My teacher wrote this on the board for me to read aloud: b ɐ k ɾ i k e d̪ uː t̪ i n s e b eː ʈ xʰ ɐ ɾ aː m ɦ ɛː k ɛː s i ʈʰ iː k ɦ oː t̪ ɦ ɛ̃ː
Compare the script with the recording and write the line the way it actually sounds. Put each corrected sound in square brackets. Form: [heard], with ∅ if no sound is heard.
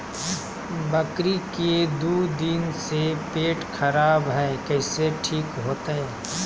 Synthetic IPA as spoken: b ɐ k ɾ i k e d̪ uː [d̪] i n s e [p] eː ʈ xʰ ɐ ɾ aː [b] ɦ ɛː k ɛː s [e] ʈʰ iː k ɦ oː t̪ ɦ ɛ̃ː